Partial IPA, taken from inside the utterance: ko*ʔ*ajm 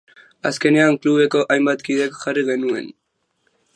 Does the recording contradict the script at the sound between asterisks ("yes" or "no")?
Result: no